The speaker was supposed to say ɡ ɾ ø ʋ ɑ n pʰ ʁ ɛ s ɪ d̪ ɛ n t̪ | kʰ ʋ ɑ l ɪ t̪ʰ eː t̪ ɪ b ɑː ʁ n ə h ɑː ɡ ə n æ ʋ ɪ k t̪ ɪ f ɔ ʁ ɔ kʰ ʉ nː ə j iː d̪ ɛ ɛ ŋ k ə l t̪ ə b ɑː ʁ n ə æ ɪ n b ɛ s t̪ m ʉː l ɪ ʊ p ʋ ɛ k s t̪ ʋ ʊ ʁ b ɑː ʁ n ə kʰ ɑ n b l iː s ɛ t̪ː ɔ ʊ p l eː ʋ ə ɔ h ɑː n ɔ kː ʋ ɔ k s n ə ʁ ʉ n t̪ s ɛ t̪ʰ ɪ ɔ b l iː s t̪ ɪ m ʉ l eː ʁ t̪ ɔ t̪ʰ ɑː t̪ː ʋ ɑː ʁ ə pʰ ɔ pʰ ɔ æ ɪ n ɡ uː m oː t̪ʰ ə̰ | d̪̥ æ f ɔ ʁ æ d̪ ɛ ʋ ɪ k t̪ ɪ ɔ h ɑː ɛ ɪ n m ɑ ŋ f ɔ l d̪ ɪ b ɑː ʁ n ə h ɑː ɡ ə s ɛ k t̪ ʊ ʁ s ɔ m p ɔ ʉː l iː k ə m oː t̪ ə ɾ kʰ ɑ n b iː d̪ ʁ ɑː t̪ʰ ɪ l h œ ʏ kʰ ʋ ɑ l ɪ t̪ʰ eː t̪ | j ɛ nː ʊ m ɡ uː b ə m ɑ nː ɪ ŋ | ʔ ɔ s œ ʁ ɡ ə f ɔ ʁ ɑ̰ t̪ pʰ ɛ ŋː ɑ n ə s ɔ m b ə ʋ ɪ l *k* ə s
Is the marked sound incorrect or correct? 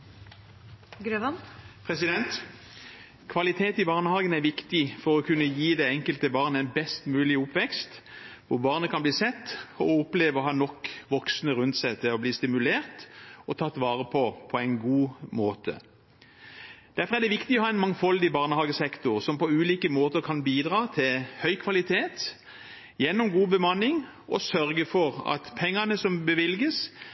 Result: incorrect: ɡ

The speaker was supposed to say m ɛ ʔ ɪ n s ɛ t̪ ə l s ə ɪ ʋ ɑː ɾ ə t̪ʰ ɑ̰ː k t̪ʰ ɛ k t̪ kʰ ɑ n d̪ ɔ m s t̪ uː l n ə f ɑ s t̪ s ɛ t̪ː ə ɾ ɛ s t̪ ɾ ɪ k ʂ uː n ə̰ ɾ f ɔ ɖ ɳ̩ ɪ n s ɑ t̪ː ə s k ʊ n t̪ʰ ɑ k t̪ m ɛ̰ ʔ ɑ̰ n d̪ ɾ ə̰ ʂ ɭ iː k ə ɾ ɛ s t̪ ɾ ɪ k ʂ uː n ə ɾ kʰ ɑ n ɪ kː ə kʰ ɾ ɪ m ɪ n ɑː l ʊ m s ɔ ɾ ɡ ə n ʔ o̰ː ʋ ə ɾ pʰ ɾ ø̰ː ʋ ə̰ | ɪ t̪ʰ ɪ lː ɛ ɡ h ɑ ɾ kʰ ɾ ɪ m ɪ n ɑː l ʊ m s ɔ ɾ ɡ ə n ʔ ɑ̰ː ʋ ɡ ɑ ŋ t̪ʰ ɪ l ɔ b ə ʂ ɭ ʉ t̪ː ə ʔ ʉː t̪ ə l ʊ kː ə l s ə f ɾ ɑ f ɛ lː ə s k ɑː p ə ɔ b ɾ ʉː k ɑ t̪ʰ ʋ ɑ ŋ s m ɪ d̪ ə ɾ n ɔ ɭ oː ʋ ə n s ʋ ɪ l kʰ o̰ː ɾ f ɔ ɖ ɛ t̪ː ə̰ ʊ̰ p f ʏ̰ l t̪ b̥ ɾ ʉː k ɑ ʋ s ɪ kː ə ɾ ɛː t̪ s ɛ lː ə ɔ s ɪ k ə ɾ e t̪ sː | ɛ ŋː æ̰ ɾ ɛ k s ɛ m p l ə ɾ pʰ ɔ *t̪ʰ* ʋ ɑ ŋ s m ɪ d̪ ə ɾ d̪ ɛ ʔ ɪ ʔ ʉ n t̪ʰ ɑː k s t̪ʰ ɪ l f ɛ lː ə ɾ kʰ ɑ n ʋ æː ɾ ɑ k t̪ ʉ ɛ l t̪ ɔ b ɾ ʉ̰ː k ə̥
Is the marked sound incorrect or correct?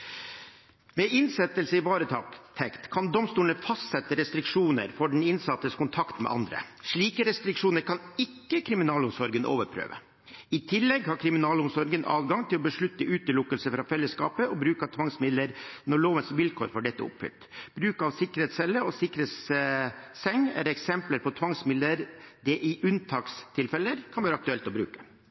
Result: correct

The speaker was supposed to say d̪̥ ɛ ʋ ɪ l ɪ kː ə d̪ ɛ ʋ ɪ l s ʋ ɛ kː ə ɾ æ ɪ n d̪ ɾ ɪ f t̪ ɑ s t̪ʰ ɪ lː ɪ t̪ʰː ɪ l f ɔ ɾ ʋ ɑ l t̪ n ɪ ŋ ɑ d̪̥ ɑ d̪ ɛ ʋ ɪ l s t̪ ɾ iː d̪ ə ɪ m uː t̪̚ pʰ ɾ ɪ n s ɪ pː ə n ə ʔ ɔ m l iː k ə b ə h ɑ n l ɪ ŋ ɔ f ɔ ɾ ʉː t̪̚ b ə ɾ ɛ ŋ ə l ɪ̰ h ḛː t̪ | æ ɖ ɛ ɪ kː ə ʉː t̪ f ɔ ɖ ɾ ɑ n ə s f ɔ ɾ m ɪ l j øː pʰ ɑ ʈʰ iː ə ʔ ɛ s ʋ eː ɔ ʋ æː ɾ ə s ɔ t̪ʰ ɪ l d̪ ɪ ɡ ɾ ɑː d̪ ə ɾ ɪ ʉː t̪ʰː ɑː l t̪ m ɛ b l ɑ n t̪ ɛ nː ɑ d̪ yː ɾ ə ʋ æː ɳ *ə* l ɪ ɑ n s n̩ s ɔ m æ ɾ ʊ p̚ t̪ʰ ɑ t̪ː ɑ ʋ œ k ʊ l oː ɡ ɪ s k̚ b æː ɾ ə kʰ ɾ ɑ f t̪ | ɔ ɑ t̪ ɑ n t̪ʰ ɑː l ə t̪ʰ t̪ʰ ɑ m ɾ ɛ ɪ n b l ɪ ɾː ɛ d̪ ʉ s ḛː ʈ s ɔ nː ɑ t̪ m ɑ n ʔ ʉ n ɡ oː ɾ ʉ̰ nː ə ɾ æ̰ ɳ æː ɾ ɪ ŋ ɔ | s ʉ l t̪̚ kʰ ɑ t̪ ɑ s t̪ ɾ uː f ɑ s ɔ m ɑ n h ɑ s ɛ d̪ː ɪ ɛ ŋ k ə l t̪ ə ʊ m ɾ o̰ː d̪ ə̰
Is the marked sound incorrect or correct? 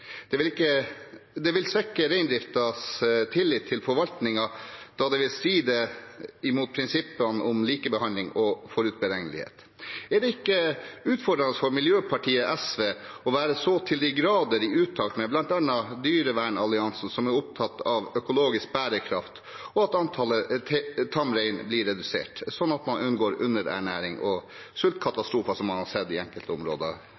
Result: incorrect: ɑ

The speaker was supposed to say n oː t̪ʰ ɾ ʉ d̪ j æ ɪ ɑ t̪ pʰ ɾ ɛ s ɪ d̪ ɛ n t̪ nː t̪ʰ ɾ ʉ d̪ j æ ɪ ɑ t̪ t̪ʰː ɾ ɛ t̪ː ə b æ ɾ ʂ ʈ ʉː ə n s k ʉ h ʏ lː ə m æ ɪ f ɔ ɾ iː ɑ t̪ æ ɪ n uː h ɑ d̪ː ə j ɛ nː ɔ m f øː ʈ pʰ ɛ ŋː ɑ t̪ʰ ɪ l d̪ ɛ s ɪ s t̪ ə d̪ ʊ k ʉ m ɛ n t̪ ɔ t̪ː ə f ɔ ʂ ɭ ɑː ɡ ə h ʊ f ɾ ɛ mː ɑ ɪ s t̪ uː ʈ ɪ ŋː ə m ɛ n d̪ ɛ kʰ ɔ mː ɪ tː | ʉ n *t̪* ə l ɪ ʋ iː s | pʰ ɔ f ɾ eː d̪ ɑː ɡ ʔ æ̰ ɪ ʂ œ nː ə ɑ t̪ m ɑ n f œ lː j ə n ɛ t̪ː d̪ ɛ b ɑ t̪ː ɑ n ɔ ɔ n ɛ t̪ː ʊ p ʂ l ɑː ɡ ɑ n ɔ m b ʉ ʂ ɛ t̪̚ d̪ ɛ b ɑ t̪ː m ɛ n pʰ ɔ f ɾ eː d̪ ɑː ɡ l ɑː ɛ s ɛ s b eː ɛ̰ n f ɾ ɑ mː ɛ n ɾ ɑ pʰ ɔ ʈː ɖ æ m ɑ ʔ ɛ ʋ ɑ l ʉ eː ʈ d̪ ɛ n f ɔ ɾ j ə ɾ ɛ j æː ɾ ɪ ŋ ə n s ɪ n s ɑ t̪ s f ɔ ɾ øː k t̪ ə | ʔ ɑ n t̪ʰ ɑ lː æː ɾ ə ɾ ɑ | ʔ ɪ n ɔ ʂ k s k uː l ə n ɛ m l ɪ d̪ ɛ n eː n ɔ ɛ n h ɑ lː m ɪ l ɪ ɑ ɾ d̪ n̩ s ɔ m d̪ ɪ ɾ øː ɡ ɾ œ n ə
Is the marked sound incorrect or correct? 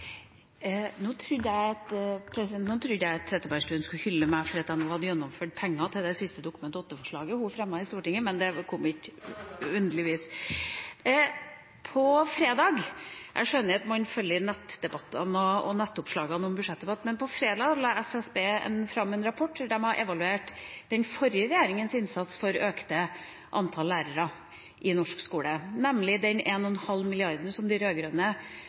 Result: incorrect: d̪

